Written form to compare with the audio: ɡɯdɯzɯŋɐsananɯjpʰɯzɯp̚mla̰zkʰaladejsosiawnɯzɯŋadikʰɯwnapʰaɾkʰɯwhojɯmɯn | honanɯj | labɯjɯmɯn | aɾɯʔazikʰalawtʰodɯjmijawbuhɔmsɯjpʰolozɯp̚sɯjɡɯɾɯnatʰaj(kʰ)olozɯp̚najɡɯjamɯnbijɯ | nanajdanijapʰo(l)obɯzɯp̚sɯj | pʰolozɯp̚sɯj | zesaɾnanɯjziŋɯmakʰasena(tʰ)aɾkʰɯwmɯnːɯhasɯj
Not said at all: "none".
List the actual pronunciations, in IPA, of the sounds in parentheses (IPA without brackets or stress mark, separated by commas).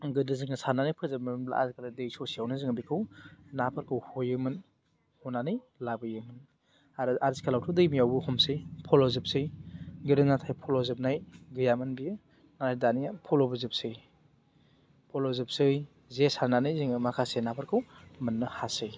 pʰ, l, pʰ